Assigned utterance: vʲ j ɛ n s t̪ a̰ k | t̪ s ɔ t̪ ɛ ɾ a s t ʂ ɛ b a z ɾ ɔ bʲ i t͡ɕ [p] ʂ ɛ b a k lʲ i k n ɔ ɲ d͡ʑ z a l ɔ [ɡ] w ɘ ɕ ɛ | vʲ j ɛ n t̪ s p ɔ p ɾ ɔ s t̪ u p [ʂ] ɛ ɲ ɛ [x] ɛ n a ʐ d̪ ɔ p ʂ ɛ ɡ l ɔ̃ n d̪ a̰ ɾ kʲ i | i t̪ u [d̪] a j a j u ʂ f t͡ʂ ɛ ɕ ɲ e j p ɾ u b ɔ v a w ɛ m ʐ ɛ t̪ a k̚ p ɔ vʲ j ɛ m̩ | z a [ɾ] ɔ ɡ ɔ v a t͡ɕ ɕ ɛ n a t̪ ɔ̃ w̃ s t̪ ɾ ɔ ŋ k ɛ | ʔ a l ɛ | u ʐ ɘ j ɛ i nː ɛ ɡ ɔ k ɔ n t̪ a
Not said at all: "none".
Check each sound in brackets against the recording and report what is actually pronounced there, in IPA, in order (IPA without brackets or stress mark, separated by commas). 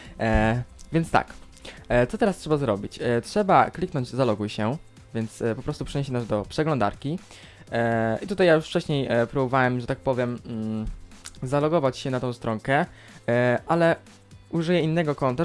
t, ɡ, ʂ, ɕ, t̪, l